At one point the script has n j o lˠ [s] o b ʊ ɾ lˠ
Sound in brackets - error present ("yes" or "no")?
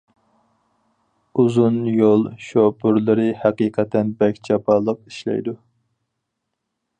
yes